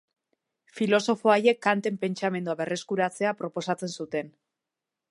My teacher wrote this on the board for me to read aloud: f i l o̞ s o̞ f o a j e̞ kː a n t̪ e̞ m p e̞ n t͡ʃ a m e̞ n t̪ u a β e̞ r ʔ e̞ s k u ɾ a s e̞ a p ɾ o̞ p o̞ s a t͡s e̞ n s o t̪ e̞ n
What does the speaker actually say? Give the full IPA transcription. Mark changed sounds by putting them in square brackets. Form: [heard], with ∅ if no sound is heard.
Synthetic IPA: f i l o̞ s o̞ f o a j e̞ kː a n t̪ e̞ m p e̞ n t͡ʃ a m e̞ n [d̪] u a β e̞ r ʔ e̞ s k u ɾ a [t͡s] e̞ a p ɾ o̞ p o̞ s a t͡s e̞ n s [u] t̪ e̞ n